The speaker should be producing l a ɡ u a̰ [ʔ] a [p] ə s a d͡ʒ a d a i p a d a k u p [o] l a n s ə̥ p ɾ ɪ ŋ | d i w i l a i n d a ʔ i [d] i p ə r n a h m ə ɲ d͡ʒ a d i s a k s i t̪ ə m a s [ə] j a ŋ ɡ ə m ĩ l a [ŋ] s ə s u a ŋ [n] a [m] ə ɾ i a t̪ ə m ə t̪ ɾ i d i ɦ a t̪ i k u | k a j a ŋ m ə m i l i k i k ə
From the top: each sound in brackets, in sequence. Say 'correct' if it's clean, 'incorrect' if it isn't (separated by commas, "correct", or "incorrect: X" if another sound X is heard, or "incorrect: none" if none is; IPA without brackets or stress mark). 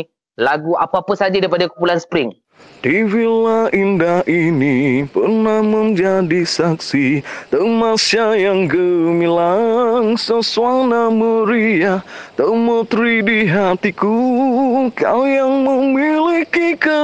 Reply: incorrect: p, correct, incorrect: u, incorrect: n, incorrect: a, correct, correct, correct